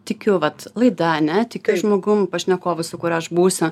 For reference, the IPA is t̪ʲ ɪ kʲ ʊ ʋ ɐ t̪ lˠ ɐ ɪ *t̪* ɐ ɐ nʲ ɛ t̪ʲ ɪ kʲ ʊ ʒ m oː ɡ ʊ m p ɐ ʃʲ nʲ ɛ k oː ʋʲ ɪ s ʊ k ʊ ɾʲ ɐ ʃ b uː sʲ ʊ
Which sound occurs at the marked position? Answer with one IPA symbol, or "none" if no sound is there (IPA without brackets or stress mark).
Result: d̪